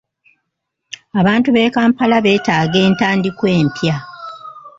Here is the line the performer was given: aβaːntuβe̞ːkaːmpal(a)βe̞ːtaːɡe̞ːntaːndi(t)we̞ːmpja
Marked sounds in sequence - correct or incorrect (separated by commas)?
correct, incorrect